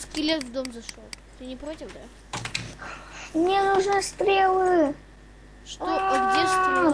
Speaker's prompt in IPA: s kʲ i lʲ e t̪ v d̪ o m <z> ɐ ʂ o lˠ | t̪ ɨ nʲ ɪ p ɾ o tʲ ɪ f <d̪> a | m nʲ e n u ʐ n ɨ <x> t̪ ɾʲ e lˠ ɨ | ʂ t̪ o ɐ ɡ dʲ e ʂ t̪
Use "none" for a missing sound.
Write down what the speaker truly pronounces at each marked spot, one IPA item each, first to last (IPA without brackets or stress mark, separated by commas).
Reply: z, d̪, s